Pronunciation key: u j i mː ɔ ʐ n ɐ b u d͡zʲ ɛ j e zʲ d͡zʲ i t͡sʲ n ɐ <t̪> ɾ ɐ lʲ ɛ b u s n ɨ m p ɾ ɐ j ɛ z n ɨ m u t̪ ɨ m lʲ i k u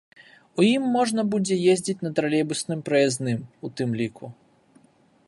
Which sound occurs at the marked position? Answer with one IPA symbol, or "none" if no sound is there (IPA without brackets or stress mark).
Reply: t̪